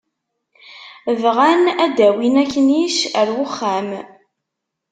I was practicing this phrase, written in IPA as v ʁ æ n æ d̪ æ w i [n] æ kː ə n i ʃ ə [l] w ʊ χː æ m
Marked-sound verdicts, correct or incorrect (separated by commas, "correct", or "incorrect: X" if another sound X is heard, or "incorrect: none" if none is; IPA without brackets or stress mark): correct, incorrect: ɾ